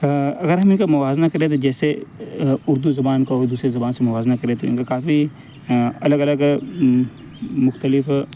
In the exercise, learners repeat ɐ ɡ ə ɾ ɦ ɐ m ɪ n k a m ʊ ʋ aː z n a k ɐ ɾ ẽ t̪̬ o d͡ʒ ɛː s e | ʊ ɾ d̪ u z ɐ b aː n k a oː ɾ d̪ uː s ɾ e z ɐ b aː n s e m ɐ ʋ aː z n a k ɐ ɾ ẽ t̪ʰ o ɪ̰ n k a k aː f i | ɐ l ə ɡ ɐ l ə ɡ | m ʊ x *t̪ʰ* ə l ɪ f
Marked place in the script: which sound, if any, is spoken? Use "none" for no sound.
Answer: t̪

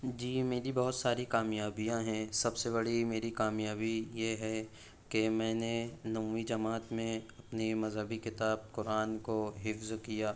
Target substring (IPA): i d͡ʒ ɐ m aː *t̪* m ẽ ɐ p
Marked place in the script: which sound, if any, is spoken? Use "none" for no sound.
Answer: t̪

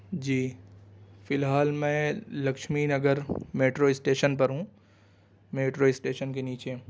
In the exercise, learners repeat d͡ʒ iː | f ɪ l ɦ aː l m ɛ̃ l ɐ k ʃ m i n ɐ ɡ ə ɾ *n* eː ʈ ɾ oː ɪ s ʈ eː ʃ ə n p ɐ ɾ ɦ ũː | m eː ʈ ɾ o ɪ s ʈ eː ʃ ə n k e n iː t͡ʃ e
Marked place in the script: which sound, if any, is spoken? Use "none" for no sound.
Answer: m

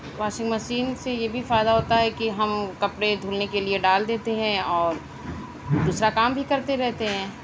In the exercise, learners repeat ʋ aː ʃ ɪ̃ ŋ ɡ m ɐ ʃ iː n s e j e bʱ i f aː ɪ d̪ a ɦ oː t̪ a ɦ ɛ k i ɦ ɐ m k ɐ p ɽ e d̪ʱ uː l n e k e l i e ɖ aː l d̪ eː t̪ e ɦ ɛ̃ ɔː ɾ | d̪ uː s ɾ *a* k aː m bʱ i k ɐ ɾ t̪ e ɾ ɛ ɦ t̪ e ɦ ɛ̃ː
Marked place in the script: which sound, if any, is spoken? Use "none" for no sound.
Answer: a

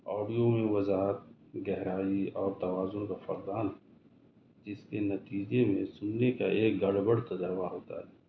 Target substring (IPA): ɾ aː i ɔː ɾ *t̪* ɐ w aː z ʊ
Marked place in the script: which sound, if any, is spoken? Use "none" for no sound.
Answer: t̪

